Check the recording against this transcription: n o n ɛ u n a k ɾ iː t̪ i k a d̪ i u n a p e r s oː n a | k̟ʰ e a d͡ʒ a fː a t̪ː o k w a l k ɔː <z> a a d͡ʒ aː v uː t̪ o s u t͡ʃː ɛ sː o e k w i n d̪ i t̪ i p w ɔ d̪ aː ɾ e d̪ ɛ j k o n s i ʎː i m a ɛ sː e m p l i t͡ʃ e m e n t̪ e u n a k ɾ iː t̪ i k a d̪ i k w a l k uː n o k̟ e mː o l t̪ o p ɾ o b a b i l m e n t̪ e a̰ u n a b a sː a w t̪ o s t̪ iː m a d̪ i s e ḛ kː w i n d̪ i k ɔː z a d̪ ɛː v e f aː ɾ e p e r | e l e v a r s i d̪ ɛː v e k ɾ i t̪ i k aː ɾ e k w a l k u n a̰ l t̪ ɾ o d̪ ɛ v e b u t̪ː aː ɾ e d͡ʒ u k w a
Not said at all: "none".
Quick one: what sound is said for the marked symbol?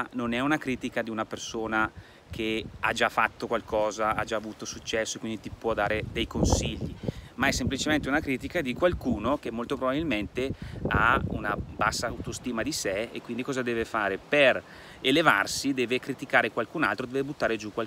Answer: z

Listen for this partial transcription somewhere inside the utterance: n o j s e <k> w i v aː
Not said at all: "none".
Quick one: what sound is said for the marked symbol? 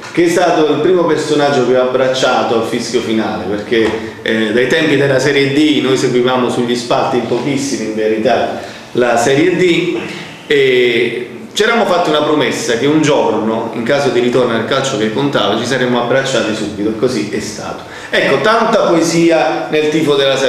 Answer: ɡ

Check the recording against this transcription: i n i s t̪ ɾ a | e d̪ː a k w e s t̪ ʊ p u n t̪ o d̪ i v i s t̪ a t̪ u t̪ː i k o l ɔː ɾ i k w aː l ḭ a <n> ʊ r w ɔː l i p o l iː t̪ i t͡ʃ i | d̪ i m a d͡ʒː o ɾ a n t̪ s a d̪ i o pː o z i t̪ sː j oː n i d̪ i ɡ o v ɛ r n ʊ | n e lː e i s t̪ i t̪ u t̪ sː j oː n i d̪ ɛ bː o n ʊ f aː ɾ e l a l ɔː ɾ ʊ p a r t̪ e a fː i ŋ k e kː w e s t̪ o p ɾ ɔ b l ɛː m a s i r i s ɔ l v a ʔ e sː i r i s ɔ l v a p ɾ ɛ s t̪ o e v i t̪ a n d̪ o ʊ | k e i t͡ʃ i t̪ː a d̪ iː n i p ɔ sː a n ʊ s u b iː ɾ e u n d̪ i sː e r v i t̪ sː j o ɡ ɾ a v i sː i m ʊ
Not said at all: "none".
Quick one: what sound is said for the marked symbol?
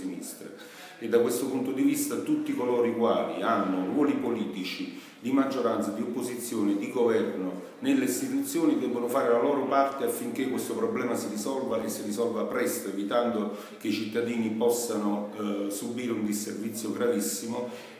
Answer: nː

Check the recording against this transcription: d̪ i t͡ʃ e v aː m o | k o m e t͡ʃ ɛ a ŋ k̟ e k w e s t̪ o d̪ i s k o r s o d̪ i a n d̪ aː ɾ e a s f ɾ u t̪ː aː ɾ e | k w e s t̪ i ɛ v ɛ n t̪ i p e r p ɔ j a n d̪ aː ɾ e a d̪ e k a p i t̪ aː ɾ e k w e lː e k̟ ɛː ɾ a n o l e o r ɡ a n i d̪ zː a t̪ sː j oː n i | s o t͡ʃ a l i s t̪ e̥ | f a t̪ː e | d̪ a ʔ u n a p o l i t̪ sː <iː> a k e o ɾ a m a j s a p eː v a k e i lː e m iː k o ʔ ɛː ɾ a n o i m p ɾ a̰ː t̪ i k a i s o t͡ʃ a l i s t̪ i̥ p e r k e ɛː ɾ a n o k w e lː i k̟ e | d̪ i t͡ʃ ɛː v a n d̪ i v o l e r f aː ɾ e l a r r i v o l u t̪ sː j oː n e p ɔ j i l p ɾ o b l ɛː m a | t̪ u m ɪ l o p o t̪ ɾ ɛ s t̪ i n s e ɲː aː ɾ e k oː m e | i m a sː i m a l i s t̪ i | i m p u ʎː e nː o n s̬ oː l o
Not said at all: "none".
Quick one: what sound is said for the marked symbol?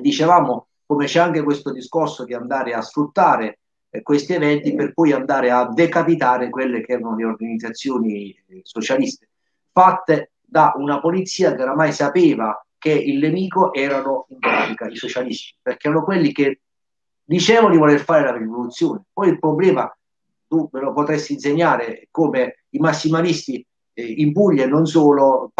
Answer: iː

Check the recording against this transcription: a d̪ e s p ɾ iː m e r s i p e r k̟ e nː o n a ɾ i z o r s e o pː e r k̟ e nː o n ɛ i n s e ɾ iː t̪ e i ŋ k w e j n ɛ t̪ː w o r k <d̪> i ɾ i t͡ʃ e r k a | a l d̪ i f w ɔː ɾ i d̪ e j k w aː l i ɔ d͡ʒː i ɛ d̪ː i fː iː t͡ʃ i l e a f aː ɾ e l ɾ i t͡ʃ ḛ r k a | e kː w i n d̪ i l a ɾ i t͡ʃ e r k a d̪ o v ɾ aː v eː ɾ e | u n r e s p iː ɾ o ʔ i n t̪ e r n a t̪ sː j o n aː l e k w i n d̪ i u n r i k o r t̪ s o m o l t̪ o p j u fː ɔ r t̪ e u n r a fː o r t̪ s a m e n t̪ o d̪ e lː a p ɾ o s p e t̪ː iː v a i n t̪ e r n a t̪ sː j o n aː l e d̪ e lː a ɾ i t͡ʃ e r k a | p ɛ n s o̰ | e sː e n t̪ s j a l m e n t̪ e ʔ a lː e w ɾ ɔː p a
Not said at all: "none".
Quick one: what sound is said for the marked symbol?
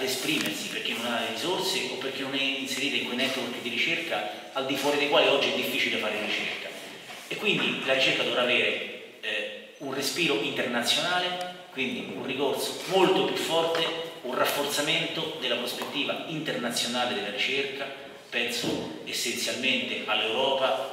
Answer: d̪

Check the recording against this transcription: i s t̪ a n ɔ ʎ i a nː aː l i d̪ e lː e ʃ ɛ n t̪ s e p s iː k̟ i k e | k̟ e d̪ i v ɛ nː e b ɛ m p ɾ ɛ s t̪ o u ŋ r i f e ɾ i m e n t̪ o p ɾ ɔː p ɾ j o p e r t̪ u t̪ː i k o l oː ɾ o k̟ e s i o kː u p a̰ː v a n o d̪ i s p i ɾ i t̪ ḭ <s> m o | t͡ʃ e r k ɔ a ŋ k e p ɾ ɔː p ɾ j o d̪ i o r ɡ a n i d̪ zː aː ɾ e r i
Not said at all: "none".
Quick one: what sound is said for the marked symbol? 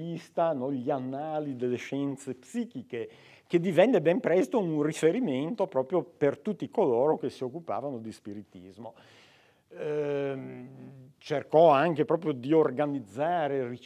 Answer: z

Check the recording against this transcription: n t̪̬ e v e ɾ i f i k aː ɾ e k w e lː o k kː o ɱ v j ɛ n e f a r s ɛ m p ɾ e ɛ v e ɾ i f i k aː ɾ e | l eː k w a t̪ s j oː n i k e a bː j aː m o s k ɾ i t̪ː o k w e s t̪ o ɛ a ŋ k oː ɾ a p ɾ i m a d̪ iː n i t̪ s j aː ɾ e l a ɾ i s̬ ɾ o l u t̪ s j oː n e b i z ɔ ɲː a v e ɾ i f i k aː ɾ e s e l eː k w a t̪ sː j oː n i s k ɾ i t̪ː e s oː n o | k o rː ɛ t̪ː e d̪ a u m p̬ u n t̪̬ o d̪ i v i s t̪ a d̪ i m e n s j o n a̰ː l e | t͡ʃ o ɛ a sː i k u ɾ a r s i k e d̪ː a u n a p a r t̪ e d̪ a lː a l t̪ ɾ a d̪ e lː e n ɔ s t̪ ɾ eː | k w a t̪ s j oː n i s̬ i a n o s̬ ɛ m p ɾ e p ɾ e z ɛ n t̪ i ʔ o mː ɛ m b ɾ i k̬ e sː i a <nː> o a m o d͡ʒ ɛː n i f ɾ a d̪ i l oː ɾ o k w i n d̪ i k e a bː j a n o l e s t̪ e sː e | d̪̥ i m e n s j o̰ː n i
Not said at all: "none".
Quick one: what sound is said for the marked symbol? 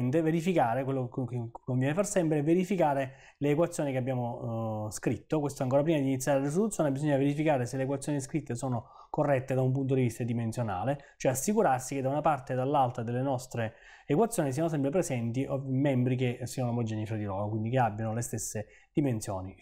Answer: n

